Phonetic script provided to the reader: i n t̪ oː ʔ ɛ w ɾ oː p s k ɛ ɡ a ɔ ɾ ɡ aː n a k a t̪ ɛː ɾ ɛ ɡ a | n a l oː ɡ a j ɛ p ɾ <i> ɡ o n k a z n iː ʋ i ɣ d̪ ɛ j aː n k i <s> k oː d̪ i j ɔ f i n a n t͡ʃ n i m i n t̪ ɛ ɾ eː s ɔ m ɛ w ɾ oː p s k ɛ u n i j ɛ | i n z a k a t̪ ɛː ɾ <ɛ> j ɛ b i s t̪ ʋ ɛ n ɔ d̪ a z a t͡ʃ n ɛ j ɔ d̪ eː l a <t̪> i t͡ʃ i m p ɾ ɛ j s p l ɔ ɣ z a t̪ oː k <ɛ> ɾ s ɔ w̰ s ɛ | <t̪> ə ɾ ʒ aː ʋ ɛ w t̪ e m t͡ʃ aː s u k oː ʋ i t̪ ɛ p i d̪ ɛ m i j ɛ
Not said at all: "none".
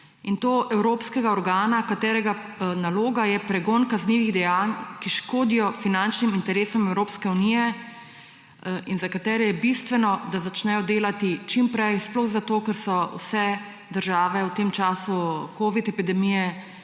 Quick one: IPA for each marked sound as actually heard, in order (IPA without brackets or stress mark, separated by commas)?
ɛ, ʃ, ɛ, t̪, ɛ, d̪